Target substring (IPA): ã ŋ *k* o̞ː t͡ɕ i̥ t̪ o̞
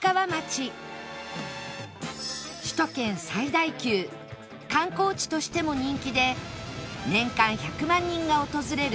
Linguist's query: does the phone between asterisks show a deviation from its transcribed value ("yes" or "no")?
no